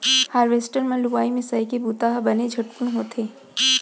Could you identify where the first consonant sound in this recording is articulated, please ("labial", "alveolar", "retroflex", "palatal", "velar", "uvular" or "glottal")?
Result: glottal